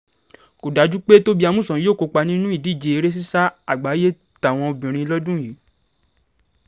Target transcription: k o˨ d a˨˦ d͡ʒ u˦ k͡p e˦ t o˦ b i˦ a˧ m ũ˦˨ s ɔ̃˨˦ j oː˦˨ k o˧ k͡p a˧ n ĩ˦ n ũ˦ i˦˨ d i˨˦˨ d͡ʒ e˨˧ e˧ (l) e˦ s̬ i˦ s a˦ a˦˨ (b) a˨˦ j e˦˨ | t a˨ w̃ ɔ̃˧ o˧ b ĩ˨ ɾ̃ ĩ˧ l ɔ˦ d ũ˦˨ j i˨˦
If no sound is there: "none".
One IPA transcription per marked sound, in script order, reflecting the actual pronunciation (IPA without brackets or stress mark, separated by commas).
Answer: ɾ, ɡ͡b